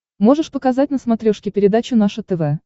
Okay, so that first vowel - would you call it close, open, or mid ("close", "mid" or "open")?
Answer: mid